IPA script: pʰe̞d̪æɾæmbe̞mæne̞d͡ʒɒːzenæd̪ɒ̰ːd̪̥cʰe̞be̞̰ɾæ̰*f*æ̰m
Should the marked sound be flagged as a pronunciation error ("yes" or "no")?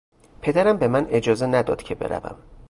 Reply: yes